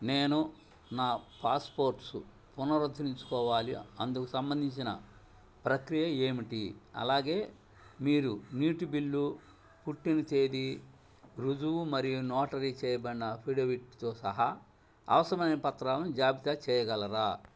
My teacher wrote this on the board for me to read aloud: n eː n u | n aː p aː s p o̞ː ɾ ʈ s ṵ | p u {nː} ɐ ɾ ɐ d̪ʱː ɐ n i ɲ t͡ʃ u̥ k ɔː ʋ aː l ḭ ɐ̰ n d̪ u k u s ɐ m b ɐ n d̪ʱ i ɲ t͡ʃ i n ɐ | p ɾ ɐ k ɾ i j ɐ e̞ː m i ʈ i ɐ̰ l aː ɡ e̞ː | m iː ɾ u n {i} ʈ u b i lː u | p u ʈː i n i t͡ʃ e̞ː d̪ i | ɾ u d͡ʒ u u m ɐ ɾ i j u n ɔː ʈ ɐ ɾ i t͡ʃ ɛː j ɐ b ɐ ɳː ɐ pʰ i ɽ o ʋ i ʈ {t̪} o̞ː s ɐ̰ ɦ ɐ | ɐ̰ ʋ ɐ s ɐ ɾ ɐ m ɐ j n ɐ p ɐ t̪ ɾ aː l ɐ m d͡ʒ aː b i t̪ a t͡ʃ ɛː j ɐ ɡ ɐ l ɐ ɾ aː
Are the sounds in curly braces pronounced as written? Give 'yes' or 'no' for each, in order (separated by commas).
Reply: no, no, yes